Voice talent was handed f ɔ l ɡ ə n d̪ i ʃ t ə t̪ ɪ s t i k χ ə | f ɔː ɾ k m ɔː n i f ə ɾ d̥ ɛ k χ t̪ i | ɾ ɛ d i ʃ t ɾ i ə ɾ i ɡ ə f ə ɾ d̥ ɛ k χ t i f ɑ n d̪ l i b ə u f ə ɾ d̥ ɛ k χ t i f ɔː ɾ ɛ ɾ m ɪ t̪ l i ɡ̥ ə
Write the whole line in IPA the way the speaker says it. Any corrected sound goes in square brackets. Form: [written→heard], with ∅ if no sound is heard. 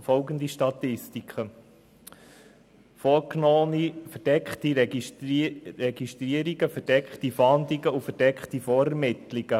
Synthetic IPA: f ɔ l ɡ ə n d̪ i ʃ t [ə→ɑ] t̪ ɪ s t i k χ ə | f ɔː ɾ k [m→n] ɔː n i f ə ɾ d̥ ɛ k χ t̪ i | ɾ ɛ [d→ɡ] i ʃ t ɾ i ə ɾ i ɡ ə f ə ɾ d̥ ɛ k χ t i f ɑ n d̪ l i [b→ɡ] ə u f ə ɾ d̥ ɛ k χ t i f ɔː ɾ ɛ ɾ m ɪ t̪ l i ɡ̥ ə

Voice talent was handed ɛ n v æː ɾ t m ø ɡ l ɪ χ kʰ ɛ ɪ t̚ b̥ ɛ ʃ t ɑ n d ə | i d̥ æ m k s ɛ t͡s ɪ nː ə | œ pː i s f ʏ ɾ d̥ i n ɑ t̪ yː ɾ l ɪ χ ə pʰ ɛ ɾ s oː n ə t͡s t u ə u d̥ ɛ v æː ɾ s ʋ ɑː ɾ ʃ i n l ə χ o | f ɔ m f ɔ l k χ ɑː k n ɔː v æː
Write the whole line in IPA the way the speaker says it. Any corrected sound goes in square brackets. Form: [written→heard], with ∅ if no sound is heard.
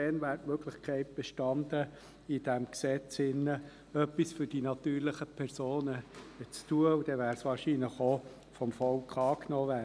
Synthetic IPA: ɛ n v æː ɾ t m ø ɡ l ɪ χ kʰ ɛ ɪ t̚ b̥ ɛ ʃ t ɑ n d ə | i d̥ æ m k s ɛ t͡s ɪ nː ə | œ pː i s f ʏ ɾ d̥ i n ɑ t̪ yː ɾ l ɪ χ ə pʰ ɛ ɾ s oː n ə t͡s t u ə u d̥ ɛ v æː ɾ s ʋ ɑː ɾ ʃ i n l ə χ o | f ɔ m f ɔ l k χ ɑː k n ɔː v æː

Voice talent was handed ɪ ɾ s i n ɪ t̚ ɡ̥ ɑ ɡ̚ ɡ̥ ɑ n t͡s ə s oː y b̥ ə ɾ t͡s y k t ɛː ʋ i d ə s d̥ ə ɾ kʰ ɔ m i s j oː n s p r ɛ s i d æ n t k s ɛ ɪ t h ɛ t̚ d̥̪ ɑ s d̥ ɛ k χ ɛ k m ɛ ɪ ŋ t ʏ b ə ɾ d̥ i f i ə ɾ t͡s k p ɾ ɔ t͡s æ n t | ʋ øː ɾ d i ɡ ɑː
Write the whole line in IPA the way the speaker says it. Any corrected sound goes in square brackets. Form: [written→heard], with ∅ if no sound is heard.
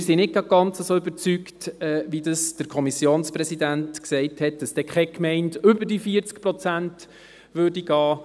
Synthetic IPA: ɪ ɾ s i n ɪ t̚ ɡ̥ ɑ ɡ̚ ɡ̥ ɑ n t͡s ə s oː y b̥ ə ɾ t͡s y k t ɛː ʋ i d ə s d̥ ə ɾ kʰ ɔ m i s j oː n s p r ɛ s i d æ n t k s ɛ ɪ t h ɛ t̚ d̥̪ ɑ s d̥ ɛ k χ ɛ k m ɛ ɪ [ŋ→n] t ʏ b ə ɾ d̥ i f i ə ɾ t͡s k p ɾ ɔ t͡s æ n t | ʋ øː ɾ d i ɡ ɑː

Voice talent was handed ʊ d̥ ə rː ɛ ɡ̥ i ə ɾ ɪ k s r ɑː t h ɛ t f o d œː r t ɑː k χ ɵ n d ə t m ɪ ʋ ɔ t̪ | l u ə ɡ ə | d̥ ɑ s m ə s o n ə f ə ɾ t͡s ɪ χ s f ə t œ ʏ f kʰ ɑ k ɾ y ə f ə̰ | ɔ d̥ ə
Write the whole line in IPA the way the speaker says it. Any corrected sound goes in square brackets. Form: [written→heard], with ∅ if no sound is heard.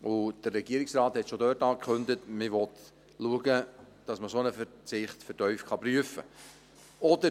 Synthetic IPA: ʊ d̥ ə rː ɛ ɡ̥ i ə ɾ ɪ k s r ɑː t h ɛ t [f→ʃ] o d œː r t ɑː k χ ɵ n d ə t m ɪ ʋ ɔ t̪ | l u ə ɡ ə | d̥ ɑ s m ə s o n ə f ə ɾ t͡s ɪ χ [s→t] f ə t œ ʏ f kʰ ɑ [k→p] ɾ y ə f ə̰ | ɔ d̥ ə

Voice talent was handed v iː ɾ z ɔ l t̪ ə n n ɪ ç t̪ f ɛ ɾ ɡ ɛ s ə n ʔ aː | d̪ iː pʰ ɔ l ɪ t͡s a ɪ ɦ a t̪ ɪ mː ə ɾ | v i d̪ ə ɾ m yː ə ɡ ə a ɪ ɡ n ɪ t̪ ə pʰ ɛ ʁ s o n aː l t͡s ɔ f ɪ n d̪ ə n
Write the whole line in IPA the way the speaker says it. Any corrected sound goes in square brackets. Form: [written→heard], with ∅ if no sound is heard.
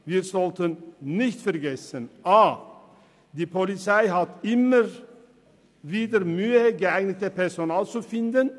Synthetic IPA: v iː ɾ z ɔ l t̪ ə n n ɪ ç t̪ f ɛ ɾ ɡ ɛ s ə n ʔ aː | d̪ iː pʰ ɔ l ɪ t͡s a ɪ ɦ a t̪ ɪ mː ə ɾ | v [i→iː] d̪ ə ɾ m yː ə ɡ ə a ɪ ɡ n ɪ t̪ ə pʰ ɛ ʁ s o n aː l t͡s [ɔ→u] f ɪ n d̪ ə n

